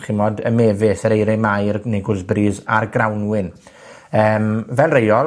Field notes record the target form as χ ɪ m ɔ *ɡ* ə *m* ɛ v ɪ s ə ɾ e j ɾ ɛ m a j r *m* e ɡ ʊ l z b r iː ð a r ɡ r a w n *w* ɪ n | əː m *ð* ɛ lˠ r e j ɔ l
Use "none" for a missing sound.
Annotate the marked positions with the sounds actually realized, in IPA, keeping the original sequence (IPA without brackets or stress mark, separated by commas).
d, m, n, w, v